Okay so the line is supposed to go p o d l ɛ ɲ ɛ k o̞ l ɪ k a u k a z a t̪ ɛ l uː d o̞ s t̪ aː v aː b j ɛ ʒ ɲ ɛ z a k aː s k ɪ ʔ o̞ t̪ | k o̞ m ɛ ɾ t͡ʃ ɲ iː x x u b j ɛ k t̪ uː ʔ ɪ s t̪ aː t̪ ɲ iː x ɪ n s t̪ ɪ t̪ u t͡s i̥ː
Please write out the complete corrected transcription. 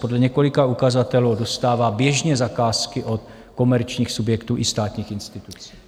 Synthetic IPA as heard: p o d l ɛ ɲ ɛ k o̞ l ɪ k a u k a z a t̪ ɛ l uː d o̞ s t̪ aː v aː b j ɛ ʒ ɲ ɛ z a k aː s k ɪ ʔ o̞ t̪ | k o̞ m ɛ ɾ t͡ʃ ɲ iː x s u b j ɛ k t̪ uː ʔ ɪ s t̪ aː t̪ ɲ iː x ɪ n s t̪ ɪ t̪ u t͡s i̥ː